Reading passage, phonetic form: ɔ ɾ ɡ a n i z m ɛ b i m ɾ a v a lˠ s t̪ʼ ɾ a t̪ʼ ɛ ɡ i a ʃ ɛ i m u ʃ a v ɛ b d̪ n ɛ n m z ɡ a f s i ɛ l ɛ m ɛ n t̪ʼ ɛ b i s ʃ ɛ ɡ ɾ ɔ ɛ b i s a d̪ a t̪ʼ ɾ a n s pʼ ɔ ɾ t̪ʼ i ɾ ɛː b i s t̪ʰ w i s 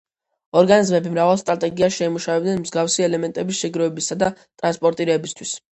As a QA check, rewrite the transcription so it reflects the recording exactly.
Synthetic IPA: ɔ ɾ ɡ a n i z m ɛ b i m ɾ a v a lˠ s t̪ʼ ɾ a t̪ʼ ɛ ɡ i a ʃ ɛ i m u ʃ a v ɛ b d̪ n ɛ n m z ɡ a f s i ɛ l ɛ m ɛ n t̪ʼ ɛ b i s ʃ ɛ ɡ ɾ ɔ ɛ b i s a d̪ a t̪ʼ ɾ a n s pʼ ɔ ɾ t̪ʼ i ɾ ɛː b i s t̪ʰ w i s